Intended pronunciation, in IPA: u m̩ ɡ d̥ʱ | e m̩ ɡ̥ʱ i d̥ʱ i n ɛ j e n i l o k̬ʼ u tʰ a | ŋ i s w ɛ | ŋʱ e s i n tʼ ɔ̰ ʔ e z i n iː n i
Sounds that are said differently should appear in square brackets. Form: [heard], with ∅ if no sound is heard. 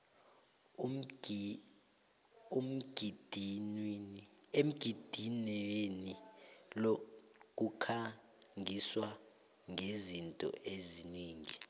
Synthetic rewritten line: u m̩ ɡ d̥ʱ | e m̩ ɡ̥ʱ i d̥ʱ i n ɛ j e n i l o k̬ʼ u [kʰ] a | ŋ i s w [a] | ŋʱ e [z] i n tʼ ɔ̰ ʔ e z i n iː [ŋ] i